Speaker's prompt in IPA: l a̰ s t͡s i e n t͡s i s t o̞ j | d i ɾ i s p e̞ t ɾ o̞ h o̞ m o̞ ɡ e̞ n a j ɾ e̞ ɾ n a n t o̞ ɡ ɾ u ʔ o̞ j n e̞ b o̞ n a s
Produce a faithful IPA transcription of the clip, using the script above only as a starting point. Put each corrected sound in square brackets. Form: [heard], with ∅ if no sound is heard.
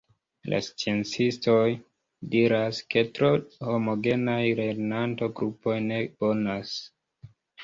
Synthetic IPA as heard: l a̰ s t͡s i e n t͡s i s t o̞ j | d i ɾ [a] s [k] e̞ t ɾ o̞ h o̞ m o̞ ɡ e̞ n a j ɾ e̞ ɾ n a n t o̞ ɡ ɾ u [p] o̞ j n e̞ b o̞ n a s